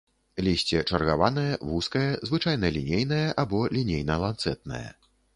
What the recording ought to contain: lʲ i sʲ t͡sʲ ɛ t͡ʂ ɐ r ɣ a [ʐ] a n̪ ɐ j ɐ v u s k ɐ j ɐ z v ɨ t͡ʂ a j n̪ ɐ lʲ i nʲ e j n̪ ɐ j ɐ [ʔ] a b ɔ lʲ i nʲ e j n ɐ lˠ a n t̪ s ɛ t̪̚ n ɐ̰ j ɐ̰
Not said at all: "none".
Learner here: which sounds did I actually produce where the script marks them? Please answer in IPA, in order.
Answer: v, ʔ

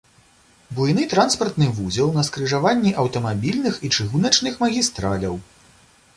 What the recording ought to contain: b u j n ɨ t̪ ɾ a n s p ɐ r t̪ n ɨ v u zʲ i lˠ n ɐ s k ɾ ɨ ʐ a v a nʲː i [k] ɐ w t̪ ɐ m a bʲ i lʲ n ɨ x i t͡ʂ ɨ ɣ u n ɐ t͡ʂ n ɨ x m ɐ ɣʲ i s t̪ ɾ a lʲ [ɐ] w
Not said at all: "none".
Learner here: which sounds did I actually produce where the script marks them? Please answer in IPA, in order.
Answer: ʔ, ɐ

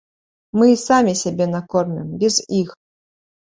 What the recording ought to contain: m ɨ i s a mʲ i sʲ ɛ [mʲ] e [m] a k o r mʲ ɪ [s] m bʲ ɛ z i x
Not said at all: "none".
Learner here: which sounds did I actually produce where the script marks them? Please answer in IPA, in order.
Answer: bʲ, n, none

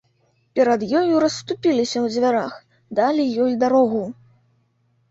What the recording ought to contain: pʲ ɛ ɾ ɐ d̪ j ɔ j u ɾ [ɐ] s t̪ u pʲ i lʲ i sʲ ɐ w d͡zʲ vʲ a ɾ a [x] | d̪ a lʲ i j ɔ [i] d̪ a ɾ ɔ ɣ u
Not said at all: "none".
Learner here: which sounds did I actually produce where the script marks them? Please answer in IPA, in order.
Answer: ɐ, x, j

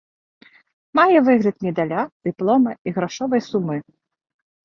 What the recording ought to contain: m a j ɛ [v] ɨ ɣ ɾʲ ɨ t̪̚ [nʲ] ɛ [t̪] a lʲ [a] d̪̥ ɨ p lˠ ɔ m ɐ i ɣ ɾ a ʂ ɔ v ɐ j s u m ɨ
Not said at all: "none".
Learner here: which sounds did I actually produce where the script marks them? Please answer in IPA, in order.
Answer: v, mʲ, d̪, a

